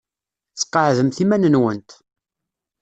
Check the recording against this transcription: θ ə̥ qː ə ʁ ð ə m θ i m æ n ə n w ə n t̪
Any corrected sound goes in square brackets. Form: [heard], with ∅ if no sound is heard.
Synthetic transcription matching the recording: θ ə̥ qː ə [ʕ] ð ə m θ i m æ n ə n w ə n t̪